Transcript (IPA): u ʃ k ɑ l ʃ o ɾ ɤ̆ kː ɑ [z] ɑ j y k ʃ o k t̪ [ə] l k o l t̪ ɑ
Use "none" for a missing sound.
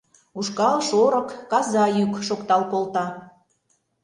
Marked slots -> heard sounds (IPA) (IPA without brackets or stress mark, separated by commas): z, ɑ